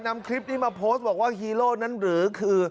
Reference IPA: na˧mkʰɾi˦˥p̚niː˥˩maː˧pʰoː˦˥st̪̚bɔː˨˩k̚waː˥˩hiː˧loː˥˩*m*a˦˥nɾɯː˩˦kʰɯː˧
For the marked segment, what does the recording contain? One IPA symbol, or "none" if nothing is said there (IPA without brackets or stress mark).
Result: n